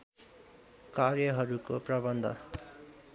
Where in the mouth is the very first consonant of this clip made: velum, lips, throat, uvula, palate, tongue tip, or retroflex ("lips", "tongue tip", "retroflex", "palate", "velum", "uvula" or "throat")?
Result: velum